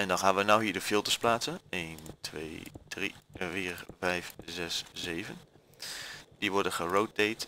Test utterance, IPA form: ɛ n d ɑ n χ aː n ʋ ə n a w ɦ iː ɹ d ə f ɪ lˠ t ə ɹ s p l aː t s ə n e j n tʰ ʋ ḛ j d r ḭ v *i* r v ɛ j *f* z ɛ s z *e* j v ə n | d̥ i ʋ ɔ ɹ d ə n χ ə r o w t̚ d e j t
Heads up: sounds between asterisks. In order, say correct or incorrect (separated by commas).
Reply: incorrect, correct, correct